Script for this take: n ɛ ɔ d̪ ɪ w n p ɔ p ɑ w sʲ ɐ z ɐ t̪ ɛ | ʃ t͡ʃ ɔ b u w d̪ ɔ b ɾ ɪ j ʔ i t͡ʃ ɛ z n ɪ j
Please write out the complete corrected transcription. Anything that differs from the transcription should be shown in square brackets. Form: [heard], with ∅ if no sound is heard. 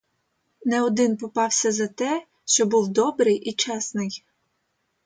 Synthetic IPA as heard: n ɛ ɔ d̪ ɪ [∅] n p ɔ p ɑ w sʲ ɐ z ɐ t̪ ɛ | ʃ t͡ʃ ɔ b u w d̪ ɔ b ɾ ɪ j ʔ i t͡ʃ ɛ [s] n ɪ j